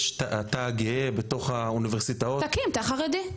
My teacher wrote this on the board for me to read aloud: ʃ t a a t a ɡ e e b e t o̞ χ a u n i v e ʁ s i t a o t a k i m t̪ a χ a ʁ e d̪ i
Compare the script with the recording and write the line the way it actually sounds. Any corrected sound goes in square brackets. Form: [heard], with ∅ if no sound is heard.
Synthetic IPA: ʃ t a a t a ɡ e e b e t o̞ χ a u n i v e ʁ s i t a o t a k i m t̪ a χ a ʁ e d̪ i